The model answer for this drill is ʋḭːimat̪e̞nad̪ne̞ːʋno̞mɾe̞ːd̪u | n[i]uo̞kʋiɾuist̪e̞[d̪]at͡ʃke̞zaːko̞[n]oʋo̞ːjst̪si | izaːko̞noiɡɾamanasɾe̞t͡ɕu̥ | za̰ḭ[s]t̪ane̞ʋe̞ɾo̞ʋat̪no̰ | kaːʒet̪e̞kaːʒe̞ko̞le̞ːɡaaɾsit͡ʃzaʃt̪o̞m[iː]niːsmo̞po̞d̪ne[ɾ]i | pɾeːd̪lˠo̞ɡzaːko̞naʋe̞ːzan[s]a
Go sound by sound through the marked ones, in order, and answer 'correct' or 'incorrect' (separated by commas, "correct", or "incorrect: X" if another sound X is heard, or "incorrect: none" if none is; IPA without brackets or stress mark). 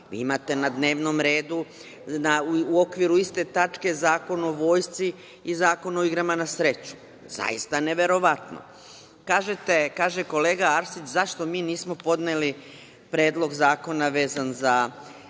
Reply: incorrect: a, incorrect: t̪, correct, correct, correct, incorrect: l, incorrect: z